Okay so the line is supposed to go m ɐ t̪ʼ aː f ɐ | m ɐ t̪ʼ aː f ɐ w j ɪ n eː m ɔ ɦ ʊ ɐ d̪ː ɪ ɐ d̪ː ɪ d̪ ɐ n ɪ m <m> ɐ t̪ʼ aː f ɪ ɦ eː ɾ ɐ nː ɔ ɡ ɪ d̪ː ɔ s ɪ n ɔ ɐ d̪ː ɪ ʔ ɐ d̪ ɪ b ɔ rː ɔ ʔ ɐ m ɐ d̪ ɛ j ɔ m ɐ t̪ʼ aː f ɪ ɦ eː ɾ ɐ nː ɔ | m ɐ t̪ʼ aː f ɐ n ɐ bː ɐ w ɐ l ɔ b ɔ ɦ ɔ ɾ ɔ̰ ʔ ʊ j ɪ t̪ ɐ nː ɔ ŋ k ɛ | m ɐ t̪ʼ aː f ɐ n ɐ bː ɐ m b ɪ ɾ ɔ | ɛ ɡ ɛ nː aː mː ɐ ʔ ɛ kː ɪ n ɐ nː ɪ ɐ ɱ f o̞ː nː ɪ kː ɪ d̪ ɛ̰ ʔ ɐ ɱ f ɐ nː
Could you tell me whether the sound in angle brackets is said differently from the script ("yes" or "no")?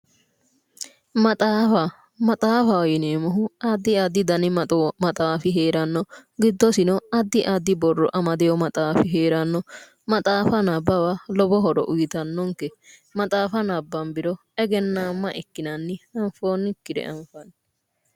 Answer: no